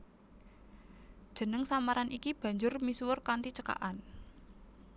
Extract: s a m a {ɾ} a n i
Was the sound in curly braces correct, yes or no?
yes